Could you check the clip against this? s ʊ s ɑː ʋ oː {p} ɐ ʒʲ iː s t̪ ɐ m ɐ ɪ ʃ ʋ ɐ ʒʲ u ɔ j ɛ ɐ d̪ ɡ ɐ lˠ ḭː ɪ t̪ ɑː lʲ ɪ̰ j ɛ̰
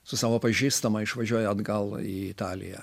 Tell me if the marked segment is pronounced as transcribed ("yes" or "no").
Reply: yes